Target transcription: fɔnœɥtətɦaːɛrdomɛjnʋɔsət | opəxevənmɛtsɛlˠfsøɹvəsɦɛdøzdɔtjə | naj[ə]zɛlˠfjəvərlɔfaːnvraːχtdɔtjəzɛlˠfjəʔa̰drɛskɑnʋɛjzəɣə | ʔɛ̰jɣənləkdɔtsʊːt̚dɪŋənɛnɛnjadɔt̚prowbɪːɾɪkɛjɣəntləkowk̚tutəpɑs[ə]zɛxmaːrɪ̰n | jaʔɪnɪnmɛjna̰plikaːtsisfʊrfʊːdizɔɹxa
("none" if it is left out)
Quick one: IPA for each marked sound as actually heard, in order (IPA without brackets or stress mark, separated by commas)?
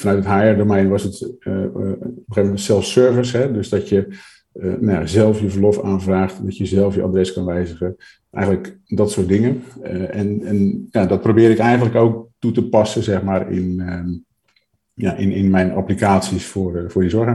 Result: a, ə